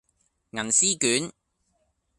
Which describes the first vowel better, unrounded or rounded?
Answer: unrounded